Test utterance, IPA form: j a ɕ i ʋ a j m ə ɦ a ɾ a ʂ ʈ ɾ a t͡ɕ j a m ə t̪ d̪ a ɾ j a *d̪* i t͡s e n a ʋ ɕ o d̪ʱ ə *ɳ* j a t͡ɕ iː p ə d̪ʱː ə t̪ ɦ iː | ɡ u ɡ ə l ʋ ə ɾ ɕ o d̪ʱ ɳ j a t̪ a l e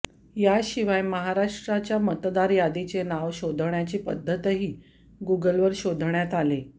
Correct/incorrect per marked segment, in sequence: correct, correct

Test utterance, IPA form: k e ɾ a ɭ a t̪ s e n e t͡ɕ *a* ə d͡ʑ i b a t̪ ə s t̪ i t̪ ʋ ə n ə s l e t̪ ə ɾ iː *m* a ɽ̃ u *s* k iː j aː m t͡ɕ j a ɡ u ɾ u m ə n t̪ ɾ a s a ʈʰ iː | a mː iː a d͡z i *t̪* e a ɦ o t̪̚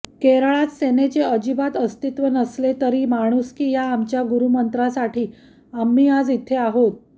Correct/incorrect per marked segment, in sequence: incorrect, correct, correct, incorrect

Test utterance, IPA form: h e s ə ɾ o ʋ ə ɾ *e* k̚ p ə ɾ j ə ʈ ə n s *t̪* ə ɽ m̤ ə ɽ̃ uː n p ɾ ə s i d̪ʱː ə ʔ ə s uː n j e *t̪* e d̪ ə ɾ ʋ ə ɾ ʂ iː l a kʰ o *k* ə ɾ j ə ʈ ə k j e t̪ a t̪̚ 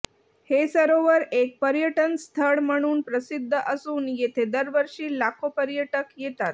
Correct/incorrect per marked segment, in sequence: correct, incorrect, incorrect, incorrect

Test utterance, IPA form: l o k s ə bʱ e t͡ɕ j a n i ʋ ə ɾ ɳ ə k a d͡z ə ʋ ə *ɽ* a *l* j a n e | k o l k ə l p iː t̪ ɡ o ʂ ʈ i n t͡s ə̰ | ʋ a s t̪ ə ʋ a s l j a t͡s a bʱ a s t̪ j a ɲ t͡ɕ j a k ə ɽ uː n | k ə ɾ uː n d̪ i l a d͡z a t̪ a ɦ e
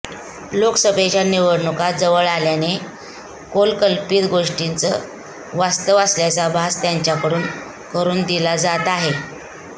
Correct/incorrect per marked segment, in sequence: incorrect, correct

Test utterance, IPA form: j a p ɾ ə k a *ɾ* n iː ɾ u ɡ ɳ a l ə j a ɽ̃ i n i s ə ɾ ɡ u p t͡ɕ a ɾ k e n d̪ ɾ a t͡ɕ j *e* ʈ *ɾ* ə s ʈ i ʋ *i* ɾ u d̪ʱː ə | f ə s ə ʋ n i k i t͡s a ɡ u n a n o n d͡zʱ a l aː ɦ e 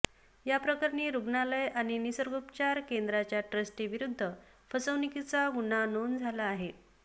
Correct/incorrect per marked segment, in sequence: correct, incorrect, correct, correct

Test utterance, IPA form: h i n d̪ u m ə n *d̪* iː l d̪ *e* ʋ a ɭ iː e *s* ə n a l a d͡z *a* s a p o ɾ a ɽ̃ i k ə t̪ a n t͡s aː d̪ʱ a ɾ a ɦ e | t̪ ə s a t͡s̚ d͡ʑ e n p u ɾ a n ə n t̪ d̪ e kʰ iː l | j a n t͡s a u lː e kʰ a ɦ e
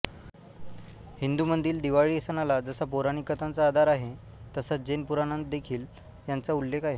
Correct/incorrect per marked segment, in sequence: correct, incorrect, correct, incorrect

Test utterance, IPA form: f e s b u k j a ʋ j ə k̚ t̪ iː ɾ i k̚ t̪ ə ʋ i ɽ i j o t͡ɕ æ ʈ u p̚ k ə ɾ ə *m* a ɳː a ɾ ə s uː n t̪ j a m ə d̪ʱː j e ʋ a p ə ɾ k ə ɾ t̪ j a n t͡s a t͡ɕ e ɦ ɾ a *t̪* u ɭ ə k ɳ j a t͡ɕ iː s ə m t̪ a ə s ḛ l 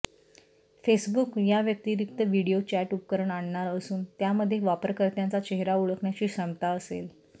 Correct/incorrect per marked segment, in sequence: incorrect, incorrect

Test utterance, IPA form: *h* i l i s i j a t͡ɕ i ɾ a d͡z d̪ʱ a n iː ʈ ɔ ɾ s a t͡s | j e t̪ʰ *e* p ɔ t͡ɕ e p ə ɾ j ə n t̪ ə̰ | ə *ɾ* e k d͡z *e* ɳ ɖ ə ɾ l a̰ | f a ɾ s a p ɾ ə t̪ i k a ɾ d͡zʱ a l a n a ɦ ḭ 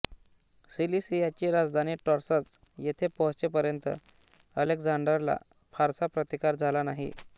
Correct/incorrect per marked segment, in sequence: incorrect, correct, incorrect, incorrect

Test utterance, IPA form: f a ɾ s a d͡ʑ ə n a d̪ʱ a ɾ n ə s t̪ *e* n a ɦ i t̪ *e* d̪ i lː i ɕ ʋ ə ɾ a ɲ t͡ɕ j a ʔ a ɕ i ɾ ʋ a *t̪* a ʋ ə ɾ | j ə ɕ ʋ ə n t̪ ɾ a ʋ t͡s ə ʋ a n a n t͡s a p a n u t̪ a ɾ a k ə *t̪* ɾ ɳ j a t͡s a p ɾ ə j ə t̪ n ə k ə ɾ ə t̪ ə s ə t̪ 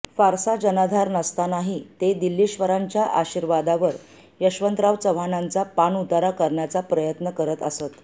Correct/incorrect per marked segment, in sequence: incorrect, correct, incorrect, incorrect

